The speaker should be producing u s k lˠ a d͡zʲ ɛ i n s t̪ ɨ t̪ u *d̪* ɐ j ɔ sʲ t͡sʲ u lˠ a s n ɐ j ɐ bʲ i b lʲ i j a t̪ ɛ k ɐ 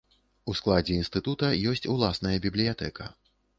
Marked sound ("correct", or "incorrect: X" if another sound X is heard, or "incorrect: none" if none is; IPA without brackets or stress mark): incorrect: t̪